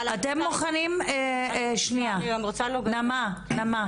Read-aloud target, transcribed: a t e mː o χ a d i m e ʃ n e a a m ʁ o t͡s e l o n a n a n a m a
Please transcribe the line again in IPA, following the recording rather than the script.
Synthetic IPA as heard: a t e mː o χ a n i m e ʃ n i a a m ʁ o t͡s a l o n a m a n a m a